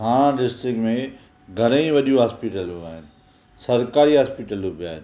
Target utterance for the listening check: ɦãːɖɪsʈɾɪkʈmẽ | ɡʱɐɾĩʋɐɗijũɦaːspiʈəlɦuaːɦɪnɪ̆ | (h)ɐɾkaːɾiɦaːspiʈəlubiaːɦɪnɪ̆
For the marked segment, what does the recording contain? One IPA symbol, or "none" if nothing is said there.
s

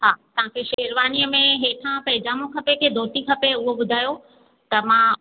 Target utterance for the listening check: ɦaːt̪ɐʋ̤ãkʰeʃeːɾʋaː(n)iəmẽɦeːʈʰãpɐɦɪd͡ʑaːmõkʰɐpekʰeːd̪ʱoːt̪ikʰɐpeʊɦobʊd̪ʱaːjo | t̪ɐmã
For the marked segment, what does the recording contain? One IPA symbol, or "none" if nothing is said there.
n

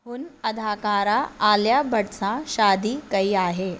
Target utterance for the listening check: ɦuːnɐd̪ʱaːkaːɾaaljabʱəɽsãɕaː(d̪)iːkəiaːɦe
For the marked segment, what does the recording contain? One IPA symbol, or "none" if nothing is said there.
d̪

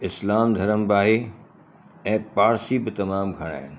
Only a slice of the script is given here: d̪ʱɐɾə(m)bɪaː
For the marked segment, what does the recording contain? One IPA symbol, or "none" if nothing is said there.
m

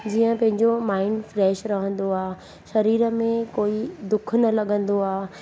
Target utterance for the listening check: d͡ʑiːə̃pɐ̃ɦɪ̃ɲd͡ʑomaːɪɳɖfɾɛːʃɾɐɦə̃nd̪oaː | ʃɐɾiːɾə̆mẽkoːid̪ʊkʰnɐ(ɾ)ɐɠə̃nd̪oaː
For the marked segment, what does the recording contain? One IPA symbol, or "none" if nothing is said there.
l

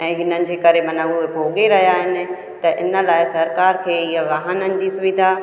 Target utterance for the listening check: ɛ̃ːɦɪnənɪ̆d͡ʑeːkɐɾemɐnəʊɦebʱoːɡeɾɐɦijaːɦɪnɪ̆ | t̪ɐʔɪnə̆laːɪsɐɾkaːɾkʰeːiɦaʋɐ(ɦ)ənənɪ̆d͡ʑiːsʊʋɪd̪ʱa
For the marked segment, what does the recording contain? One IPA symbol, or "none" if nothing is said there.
ɦ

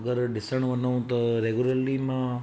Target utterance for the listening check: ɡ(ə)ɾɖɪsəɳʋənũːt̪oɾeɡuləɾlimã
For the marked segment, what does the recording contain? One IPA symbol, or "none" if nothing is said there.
ə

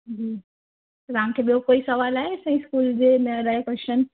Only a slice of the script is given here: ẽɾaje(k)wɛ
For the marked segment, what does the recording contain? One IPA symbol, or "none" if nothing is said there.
k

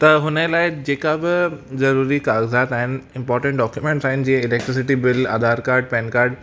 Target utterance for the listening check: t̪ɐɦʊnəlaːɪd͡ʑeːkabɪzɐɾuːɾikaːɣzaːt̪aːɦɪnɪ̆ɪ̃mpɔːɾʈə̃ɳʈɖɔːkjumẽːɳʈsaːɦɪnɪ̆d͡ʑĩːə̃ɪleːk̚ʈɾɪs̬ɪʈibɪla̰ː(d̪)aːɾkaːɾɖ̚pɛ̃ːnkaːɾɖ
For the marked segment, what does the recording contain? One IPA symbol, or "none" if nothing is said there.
d̪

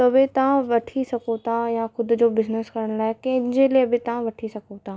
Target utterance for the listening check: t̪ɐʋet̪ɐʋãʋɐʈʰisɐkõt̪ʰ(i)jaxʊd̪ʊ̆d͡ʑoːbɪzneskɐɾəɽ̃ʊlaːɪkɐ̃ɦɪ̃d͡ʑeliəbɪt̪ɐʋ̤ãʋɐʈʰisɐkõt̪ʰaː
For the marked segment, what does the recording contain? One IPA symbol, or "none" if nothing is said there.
a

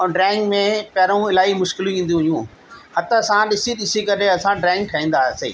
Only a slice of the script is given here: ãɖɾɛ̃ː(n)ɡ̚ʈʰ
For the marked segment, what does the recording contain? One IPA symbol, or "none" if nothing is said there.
ŋ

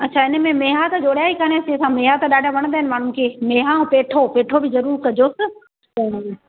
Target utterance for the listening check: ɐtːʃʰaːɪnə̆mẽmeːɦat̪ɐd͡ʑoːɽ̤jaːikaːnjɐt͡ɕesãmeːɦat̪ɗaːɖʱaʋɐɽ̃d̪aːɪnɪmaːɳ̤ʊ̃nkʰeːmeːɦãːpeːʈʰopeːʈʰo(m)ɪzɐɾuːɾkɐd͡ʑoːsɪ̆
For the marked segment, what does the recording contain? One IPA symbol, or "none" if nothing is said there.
b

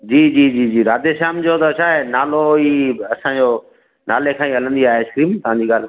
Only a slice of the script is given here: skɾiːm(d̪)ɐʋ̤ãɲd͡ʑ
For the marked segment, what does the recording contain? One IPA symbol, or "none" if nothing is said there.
t̪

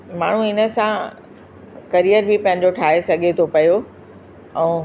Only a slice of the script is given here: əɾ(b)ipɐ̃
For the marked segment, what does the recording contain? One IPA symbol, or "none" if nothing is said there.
b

